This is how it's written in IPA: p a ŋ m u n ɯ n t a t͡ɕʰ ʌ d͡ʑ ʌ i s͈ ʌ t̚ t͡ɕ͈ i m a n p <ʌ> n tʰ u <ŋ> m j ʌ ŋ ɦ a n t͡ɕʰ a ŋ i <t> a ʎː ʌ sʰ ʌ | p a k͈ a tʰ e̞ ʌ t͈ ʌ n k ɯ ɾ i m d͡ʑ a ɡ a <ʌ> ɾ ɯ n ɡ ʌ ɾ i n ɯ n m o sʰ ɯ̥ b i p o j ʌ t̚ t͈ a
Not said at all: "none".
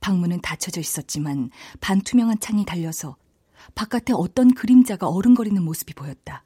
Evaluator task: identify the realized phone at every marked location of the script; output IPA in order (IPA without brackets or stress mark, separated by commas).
a, none, t, ʌ